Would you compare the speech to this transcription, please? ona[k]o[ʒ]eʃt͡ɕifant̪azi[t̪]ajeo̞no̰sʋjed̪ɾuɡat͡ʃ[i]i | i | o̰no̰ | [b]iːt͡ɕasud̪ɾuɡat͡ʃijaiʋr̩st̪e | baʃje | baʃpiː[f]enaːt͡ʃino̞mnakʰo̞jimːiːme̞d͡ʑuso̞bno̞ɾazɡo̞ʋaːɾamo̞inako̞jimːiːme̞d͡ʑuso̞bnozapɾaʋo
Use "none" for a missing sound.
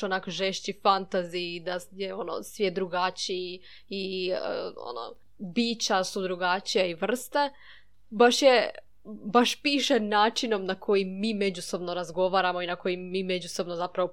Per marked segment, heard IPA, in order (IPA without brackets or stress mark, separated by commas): k, ʒ, d̪, i, b, ʃ